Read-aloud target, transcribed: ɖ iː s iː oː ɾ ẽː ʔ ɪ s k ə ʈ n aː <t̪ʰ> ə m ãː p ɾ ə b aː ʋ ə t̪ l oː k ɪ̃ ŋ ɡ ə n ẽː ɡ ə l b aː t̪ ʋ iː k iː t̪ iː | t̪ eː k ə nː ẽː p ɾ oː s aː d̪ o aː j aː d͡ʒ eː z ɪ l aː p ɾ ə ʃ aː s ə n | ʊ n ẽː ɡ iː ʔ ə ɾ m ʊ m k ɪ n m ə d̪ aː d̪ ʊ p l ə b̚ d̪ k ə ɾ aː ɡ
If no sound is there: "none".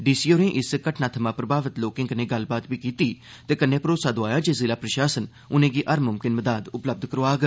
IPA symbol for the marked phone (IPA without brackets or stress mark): t̪ʰ